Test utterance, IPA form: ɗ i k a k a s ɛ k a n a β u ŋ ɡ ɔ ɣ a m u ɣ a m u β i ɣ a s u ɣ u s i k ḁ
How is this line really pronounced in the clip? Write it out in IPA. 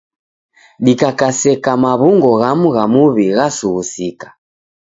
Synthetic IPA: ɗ i k a k a s ɛ k a m a β u ŋ ɡ ɔ ɣ a m u ɣ a m u β i ɣ a s u ɣ u s i k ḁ

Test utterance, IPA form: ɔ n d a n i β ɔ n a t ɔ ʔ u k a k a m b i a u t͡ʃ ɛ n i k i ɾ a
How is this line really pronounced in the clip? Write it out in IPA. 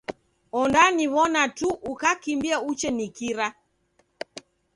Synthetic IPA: ɔ n d a n i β ɔ n a t u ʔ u k a k i m b i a u t͡ʃ ɛ n i k i ɾ a

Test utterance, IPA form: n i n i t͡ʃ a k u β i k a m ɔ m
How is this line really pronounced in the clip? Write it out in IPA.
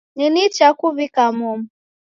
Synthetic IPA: n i n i t͡ʃ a k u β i k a m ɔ m

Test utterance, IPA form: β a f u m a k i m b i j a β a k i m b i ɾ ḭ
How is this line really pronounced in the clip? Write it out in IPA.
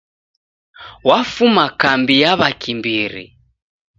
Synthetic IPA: w a f u m a k a m b i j a β a k i m b i ɾ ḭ

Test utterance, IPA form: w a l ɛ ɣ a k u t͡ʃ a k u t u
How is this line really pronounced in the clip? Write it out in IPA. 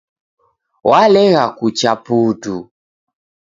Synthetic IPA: w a l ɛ ɣ a k u t͡ʃ a p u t u

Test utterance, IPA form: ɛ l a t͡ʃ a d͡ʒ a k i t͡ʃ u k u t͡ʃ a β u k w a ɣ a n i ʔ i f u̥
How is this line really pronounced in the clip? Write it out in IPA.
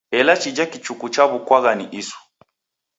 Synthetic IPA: ɛ l a t͡ʃ i d͡ʒ a k i t͡ʃ u k u t͡ʃ a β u k w a ɣ a n i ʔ i s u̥

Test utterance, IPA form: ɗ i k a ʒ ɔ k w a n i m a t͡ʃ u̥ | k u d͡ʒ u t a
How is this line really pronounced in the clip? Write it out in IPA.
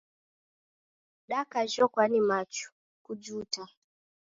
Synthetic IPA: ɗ a k a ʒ ɔ k w a n i m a t͡ʃ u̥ | k u d͡ʒ u t a

